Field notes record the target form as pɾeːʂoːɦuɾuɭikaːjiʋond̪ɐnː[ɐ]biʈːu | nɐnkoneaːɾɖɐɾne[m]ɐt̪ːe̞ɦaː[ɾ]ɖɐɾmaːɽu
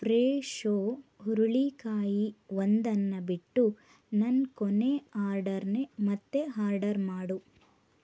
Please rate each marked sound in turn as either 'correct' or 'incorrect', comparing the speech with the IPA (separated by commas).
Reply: correct, correct, correct